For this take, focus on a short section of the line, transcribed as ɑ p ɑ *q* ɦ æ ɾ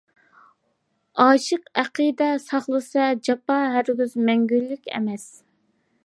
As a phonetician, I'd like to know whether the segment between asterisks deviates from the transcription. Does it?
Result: yes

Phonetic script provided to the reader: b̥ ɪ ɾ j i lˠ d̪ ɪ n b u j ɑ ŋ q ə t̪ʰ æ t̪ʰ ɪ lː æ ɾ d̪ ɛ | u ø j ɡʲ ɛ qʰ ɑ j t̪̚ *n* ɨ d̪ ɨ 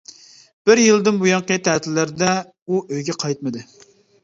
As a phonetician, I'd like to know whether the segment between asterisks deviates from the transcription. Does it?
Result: yes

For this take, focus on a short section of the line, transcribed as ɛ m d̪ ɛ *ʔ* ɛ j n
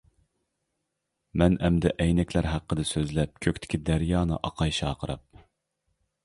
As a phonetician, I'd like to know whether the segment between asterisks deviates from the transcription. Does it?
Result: no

